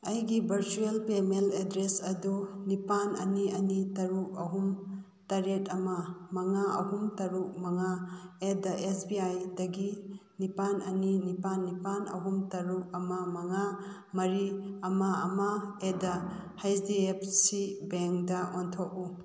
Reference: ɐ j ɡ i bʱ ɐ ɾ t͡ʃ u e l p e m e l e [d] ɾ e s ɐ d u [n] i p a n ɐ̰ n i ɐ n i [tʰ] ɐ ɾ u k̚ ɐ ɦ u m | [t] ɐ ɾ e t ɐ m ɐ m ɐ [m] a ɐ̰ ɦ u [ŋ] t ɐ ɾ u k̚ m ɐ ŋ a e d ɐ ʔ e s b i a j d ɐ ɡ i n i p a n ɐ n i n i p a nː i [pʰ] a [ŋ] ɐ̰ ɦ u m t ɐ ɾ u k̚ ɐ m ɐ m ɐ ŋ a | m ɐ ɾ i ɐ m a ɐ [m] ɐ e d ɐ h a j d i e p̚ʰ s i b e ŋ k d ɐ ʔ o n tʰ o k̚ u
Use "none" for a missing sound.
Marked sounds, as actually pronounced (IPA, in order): d, n, t, t, ŋ, m, p, n, m

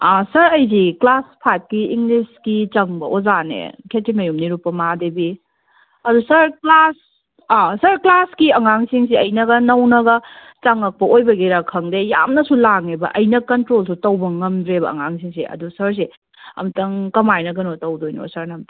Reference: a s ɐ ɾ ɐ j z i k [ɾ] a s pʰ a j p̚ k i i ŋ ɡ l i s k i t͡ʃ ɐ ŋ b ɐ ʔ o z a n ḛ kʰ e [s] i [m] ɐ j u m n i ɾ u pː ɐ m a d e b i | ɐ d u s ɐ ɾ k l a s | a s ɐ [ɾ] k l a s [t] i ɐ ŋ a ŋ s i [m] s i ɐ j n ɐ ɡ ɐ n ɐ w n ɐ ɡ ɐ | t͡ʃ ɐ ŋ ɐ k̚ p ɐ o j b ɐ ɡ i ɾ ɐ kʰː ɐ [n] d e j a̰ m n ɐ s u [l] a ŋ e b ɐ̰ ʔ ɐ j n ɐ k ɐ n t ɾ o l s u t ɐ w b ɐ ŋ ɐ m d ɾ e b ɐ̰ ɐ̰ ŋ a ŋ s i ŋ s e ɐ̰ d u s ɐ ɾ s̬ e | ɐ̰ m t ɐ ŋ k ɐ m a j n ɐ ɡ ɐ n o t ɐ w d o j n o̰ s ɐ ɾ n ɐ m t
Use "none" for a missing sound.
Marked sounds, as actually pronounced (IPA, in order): l, t, m, ɾ, k, ŋ, ŋ, l

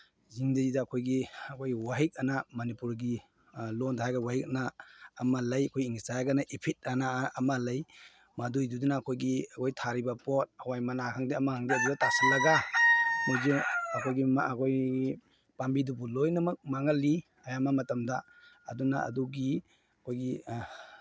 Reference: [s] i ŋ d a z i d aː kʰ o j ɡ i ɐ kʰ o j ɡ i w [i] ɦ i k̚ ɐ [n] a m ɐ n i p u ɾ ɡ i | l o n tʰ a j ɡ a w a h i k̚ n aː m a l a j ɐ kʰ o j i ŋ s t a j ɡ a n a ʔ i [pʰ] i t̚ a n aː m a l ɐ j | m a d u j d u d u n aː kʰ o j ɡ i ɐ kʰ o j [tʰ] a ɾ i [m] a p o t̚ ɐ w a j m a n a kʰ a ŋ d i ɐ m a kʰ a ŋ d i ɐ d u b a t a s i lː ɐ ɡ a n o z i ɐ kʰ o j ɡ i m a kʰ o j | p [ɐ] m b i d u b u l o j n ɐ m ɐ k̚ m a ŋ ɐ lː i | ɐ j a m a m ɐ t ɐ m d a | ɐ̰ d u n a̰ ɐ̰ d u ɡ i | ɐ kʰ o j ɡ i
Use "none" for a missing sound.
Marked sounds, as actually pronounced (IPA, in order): z, a, n, pʰ, tʰ, b, a

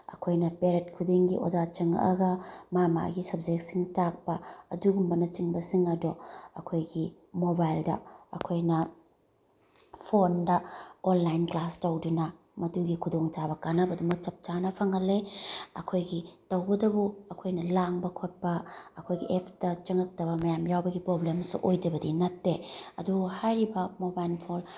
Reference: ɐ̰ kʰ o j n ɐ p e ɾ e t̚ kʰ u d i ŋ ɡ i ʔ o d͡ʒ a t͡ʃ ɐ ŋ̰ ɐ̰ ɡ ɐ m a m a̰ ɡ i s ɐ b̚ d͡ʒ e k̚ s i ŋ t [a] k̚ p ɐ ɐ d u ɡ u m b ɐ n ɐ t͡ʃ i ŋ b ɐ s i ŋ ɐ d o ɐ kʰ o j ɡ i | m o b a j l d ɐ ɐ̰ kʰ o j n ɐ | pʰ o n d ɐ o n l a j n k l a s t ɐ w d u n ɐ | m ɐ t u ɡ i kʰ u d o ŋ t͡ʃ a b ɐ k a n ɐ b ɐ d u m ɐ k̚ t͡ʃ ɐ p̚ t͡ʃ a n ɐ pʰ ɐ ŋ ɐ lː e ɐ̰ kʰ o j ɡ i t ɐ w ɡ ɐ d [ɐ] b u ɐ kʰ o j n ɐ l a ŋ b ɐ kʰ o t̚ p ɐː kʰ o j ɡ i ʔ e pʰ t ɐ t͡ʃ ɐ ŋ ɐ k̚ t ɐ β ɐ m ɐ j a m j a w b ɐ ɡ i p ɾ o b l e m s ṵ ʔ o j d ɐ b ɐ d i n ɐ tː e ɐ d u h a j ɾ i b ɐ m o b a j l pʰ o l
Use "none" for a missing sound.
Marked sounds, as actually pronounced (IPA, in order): a, ɐ

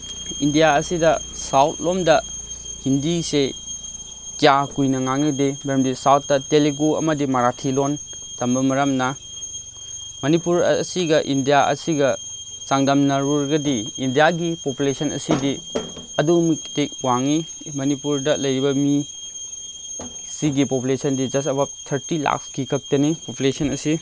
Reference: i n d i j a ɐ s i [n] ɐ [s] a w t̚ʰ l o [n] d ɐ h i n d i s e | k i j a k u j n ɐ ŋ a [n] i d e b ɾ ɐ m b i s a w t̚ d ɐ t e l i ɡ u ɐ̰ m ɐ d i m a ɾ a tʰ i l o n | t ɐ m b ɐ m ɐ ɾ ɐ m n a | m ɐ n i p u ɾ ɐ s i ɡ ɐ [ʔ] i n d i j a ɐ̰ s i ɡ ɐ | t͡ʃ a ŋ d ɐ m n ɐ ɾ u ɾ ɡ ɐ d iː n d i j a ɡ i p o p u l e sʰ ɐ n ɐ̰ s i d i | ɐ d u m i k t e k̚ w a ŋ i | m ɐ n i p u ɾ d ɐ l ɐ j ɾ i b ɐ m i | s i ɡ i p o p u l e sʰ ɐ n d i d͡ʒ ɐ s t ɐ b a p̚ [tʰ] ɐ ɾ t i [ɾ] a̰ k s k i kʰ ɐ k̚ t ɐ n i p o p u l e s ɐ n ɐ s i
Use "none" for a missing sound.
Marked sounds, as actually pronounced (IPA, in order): d, s, m, ŋ, ʔ, tʰ, l

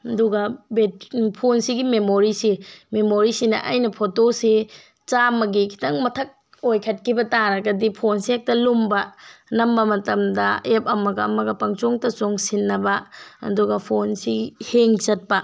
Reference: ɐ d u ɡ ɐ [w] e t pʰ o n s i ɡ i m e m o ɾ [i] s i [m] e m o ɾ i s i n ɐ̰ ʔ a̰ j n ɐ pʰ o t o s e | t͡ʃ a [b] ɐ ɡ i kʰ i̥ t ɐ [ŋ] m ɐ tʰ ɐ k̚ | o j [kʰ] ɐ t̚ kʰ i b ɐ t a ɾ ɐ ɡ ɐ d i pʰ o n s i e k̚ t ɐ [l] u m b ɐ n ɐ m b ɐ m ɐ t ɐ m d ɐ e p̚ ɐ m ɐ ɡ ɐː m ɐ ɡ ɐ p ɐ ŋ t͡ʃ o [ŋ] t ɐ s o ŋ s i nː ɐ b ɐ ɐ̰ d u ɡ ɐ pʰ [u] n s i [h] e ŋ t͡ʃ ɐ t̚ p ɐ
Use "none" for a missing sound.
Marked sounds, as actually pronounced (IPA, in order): b, i, m, m, ŋ, kʰ, l, ŋ, o, h

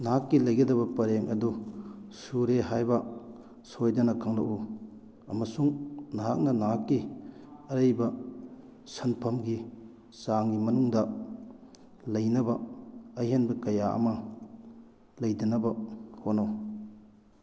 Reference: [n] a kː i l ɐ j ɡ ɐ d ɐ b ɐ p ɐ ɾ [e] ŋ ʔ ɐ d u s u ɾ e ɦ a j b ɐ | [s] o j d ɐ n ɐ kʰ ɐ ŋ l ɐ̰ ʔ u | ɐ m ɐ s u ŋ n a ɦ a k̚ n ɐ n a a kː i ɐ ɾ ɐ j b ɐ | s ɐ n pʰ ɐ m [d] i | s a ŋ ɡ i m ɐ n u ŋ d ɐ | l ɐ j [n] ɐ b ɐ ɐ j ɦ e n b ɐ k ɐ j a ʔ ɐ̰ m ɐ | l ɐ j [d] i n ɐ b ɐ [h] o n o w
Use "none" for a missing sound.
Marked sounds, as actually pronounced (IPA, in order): n, e, s, ɡ, n, d, h

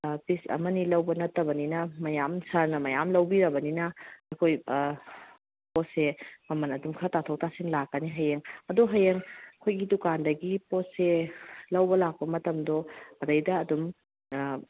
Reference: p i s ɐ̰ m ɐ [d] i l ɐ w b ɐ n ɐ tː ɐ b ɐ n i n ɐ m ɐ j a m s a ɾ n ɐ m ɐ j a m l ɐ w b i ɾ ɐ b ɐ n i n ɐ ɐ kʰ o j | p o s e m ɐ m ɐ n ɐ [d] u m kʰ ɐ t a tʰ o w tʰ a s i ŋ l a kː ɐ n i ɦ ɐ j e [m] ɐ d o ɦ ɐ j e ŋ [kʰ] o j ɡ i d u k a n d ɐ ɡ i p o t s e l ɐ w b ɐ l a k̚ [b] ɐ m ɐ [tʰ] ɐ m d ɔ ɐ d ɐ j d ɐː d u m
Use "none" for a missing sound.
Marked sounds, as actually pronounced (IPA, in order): n, d, ŋ, kʰ, p, t

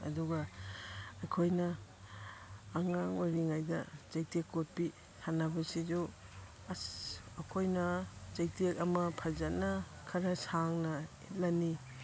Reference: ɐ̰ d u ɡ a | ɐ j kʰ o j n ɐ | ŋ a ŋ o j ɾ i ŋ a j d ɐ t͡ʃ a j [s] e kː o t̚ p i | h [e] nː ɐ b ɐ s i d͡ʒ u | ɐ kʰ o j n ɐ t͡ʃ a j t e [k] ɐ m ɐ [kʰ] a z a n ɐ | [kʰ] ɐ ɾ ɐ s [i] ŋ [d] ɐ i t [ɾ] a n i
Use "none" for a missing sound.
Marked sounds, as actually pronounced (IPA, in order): t, a, k, pʰ, kʰ, a, n, l

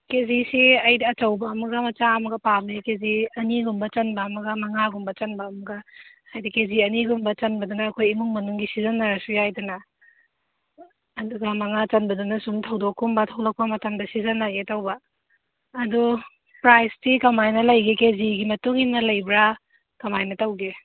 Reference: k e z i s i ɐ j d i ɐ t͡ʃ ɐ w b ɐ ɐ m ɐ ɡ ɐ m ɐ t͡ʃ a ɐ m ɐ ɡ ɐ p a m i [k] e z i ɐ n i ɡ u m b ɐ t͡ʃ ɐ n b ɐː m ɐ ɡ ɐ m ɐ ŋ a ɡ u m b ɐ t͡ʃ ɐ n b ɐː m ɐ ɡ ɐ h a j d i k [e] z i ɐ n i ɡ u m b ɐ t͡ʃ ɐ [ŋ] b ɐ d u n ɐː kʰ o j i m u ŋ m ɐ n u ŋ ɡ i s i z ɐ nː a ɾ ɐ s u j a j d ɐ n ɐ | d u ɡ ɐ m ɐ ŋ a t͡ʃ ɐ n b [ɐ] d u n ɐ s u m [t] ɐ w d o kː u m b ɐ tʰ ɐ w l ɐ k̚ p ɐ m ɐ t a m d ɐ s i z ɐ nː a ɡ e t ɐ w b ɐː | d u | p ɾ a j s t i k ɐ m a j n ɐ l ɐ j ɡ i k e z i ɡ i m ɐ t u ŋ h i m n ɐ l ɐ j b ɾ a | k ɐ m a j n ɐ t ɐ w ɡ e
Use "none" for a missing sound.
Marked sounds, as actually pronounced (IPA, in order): k, e, n, ɐ, tʰ

